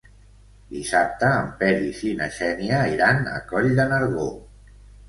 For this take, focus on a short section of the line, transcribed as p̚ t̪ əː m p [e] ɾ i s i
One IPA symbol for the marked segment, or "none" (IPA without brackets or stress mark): ɛ